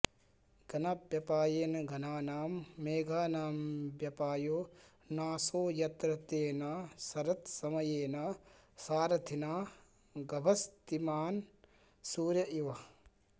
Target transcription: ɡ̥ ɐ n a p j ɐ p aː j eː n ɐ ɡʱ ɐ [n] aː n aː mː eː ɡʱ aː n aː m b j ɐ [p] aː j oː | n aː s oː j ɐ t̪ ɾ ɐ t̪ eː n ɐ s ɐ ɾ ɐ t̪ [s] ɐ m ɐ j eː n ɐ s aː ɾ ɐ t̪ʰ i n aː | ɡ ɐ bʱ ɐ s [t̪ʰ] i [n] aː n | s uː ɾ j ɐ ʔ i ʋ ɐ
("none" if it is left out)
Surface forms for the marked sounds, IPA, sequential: n, p, s, t̪, m

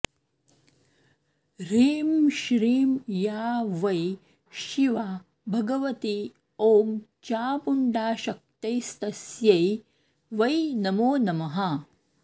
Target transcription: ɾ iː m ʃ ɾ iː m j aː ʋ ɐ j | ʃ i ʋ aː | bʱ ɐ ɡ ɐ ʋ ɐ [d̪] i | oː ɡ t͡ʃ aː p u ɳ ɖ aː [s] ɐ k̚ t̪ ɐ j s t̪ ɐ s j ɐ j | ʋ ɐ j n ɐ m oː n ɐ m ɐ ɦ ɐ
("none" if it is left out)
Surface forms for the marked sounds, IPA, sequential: t̪, ʃ

